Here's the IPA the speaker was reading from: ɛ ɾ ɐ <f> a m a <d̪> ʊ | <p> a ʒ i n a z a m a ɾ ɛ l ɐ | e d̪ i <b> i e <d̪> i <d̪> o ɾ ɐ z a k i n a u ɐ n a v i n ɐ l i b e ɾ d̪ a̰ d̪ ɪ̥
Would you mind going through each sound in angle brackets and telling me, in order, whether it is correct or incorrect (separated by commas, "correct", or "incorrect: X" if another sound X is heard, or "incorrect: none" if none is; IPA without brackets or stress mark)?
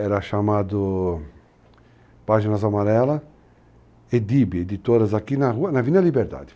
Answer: incorrect: ʃ, correct, correct, correct, correct, incorrect: t̪